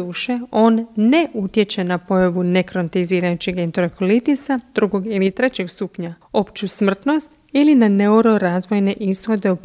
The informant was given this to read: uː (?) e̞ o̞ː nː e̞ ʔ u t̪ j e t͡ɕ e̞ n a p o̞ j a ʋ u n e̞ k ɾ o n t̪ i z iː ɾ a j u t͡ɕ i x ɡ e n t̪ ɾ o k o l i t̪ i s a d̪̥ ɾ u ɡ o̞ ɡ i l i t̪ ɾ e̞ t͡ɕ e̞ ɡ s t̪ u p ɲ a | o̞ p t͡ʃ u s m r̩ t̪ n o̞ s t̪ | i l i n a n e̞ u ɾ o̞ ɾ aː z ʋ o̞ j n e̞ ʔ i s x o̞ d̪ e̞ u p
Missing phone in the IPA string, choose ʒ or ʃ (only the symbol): ʃ